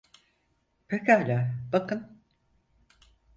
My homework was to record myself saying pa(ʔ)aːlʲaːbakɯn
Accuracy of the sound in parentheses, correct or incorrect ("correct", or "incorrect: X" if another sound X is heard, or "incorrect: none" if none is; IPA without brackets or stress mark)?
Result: incorrect: k